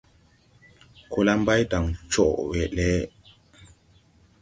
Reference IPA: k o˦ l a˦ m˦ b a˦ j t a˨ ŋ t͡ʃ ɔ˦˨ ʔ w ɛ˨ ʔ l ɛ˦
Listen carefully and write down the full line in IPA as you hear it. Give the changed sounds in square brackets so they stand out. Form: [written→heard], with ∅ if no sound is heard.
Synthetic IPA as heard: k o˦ l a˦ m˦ b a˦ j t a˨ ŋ t͡ʃ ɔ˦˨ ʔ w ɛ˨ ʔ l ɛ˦